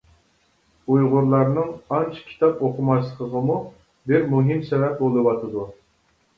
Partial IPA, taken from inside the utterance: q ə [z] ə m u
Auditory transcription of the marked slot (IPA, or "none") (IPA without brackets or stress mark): ʁ